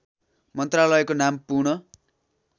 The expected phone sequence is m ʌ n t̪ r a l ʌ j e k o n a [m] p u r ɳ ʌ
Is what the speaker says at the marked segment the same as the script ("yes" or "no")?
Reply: yes